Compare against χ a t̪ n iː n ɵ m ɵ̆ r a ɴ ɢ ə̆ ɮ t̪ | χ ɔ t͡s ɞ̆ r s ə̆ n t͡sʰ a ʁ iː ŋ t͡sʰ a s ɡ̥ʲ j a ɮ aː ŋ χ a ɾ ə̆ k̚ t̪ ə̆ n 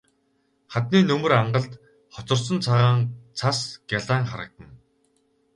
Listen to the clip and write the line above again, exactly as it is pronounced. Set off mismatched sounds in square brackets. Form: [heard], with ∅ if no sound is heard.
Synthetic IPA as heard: χ a t̪ n iː n ɵ m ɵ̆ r a ɴ ɢ ə̆ ɮ t̪ | χ ɔ t͡s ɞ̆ r s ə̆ n t͡sʰ a ʁ [aː] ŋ t͡sʰ a s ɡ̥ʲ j a ɮ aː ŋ χ a ɾ ə̆ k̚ t̪ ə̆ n